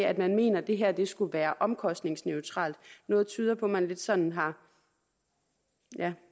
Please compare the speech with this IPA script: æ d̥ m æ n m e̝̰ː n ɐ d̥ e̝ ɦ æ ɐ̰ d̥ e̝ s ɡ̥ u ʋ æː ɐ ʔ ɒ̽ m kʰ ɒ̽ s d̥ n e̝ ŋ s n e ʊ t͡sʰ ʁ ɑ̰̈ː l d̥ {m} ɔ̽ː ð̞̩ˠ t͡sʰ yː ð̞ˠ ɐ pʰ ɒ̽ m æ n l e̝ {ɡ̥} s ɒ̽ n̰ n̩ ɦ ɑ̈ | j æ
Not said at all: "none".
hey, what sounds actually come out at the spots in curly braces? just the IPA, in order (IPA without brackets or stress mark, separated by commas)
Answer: n, d̥